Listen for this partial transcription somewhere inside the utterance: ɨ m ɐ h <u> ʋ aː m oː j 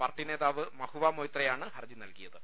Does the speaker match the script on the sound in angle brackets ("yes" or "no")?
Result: yes